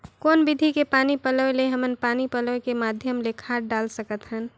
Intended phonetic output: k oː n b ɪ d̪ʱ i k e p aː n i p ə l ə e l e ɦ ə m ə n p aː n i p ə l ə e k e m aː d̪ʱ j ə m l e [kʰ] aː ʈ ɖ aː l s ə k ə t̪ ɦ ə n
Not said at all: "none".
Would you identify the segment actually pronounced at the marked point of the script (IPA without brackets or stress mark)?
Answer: kʰ